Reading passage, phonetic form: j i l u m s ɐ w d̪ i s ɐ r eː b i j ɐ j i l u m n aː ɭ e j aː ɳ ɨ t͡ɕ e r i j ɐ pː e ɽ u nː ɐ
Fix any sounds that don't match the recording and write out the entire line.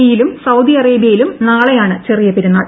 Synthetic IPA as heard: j i l u m s ɐ w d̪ i ɐ r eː b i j ɐ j i l u m n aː ɭ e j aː ɳ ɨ t͡ɕ e r i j ɐ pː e ɾ u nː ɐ